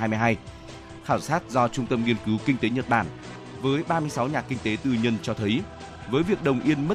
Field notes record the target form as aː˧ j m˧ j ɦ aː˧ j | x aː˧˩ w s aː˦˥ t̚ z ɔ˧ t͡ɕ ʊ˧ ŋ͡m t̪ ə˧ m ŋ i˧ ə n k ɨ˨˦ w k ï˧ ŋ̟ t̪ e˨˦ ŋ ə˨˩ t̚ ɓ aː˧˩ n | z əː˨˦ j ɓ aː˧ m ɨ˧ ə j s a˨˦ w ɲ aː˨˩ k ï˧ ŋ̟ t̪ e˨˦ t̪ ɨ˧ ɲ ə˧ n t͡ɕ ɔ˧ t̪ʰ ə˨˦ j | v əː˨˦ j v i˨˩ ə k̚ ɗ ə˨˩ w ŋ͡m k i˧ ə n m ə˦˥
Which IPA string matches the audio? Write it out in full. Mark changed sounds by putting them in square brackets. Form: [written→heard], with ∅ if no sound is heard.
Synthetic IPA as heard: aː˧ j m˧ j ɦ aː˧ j | x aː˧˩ w s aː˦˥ t̚ z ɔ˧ t͡ɕ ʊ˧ ŋ͡m t̪ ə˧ m ŋ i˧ ə n k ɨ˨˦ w k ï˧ ŋ̟ t̪ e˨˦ [ŋ→ɲ] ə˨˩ t̚ ɓ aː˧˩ n | [z→v] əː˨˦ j ɓ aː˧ m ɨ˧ ə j s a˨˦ w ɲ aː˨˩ k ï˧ ŋ̟ t̪ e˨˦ t̪ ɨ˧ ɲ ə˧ n t͡ɕ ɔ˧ t̪ʰ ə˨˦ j | v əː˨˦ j v i˨˩ ə k̚ ɗ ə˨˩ w ŋ͡m [k→ʔ] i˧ ə n m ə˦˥